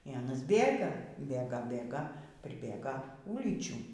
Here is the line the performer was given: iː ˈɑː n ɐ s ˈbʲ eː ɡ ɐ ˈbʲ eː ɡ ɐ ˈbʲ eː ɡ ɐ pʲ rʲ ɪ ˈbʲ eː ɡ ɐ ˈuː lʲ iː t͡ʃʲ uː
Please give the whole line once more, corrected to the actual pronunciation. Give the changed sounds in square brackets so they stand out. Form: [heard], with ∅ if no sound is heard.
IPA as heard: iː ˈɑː n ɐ s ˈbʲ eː ɡ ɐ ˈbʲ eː ɡ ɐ ˈbʲ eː ɡ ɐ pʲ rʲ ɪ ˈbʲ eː ɡ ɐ ˈuː lʲ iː t͡ʃʲ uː